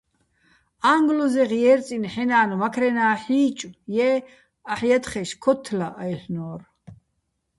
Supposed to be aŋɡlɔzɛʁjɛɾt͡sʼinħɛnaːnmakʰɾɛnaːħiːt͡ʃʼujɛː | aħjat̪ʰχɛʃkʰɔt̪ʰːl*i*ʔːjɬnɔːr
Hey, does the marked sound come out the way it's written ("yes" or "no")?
no